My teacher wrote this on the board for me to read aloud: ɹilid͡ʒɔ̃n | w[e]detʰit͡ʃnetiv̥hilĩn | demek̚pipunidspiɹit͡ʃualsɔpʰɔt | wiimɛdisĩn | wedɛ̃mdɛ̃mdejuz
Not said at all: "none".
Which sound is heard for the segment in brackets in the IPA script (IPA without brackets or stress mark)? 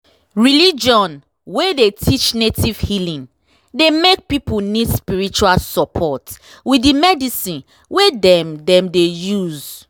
e